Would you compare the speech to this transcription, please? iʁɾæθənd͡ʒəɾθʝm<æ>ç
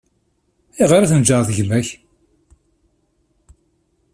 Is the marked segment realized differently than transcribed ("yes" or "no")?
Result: no